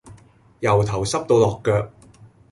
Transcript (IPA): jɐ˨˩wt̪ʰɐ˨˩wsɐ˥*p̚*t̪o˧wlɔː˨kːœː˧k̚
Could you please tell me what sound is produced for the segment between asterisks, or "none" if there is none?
p̚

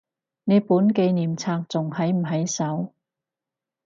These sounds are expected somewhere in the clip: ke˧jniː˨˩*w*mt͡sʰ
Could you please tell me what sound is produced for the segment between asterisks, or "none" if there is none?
none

